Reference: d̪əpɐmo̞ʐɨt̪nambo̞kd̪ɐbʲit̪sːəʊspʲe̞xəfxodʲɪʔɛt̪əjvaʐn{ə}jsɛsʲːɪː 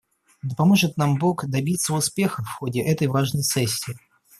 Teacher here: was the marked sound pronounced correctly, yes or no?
yes